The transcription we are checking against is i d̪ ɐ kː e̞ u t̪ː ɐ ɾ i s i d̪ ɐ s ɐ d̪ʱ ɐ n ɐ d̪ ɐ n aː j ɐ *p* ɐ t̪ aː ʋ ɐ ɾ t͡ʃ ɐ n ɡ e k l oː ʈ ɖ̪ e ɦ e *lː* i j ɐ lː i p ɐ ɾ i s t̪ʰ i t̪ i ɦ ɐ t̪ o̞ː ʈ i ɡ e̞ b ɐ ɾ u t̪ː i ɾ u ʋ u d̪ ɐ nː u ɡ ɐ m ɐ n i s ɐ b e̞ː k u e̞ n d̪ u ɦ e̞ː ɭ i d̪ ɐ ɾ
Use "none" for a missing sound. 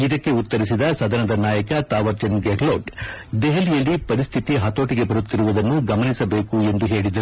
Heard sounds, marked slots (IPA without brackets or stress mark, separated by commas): k, l